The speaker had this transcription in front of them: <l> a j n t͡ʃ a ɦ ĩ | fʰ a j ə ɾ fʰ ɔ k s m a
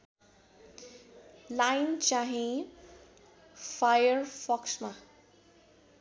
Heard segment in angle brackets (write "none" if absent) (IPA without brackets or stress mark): l